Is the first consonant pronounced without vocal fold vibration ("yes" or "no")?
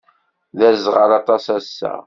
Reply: no